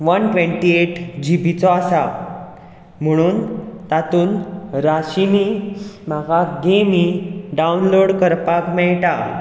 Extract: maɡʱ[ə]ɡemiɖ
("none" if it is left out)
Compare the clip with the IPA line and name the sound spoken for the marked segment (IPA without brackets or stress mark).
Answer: a